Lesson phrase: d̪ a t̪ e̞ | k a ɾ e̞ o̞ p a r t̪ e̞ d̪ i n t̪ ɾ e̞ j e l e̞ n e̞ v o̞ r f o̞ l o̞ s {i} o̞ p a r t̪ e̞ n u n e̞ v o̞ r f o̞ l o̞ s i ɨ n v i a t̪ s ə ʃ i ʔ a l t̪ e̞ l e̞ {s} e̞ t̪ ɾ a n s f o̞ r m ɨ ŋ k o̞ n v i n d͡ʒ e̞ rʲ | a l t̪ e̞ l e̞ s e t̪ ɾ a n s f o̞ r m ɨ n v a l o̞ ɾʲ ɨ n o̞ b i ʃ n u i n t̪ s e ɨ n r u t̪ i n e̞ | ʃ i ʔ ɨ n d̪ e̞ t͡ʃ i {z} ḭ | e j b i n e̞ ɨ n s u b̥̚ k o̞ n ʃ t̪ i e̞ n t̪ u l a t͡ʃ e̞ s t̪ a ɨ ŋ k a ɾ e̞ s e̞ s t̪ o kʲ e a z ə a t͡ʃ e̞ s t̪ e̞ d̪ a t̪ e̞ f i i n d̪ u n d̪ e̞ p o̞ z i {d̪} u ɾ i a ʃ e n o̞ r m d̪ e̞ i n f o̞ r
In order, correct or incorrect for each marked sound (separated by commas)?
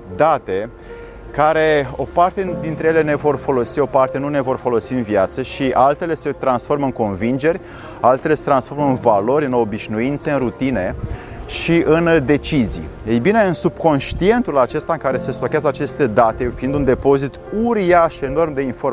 correct, correct, correct, incorrect